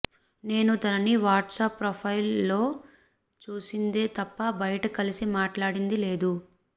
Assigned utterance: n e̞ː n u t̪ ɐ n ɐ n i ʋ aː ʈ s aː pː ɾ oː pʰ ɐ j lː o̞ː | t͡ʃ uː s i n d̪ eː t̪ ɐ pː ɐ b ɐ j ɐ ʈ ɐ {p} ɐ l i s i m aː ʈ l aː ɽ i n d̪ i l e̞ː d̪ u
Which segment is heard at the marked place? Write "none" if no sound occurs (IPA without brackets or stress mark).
k